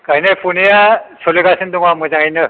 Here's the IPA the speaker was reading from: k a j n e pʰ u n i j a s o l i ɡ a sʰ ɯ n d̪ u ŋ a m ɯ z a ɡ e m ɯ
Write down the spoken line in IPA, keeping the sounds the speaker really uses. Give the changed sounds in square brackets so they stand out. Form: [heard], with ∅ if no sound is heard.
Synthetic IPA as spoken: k a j n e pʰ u n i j a s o l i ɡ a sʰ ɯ n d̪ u ŋ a m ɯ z a [ŋ] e [n] ɯ